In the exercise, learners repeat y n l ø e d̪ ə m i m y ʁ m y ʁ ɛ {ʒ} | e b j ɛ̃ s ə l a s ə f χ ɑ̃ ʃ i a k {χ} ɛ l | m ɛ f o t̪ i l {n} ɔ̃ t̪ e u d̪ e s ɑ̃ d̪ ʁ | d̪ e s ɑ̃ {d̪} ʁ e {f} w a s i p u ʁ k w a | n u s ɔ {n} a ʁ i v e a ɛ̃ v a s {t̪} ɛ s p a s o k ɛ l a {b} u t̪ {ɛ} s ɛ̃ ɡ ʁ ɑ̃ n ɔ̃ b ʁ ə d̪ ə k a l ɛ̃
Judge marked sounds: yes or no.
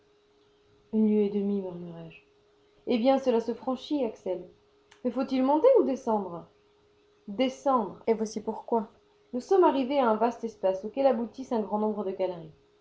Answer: yes, no, no, yes, no, no, yes, yes, no

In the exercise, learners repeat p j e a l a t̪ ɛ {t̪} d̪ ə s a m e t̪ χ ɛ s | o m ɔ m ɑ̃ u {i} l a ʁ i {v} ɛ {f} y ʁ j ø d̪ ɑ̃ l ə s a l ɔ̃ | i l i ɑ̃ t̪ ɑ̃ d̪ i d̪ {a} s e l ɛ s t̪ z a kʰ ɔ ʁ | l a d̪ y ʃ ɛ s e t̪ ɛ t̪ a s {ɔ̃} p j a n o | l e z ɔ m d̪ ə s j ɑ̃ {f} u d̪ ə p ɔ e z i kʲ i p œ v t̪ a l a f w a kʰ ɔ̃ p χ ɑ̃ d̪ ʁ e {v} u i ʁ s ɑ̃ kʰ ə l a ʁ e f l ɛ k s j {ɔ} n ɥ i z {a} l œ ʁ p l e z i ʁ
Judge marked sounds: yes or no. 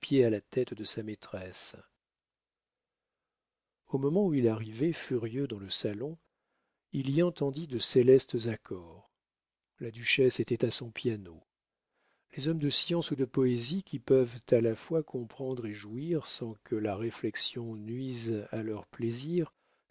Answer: yes, yes, yes, yes, no, yes, no, no, no, yes

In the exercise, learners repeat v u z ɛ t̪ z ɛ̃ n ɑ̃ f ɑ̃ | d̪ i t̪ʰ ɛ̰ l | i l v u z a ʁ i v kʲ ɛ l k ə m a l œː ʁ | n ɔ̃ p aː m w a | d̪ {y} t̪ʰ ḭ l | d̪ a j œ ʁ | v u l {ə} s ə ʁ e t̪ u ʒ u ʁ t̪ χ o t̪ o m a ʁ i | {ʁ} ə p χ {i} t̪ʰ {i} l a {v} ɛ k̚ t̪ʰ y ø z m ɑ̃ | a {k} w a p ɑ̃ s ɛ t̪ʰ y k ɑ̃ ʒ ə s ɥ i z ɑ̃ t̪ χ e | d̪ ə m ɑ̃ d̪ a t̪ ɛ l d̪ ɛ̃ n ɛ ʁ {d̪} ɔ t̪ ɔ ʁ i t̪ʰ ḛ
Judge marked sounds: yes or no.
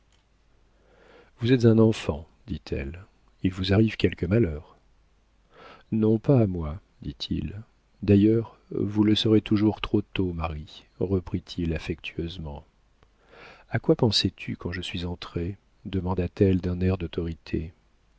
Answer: no, yes, yes, yes, yes, no, yes, yes

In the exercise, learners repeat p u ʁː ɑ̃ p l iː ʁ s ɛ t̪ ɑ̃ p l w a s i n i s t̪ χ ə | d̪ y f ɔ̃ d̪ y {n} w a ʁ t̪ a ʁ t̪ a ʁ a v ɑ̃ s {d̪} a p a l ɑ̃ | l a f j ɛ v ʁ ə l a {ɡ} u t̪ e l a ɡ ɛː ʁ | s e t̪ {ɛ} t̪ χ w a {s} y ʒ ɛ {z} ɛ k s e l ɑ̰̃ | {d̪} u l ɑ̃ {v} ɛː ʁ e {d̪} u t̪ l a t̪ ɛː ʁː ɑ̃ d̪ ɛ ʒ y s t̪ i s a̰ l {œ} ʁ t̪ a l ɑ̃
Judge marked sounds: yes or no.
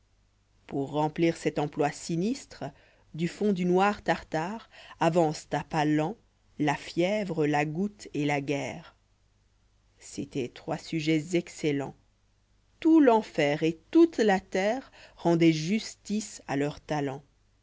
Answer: yes, no, yes, yes, yes, yes, no, no, no, yes

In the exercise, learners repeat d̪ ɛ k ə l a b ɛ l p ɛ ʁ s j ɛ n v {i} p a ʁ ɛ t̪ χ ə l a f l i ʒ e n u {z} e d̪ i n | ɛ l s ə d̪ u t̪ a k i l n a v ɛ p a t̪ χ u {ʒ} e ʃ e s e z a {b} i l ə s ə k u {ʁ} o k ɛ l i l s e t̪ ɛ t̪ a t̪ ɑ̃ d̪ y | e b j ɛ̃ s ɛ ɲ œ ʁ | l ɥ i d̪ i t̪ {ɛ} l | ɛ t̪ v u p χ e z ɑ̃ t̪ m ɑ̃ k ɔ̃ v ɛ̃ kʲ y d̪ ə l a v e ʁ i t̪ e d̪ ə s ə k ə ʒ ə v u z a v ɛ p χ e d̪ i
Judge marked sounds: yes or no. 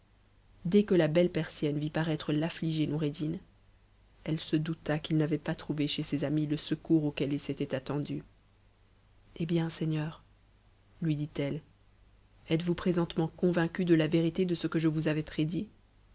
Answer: yes, no, no, no, yes, yes

